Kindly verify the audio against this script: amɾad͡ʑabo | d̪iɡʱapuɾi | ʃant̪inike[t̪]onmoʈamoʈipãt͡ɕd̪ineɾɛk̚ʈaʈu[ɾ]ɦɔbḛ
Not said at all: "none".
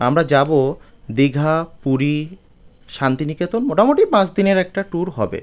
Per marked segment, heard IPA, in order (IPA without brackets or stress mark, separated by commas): t̪, ɾ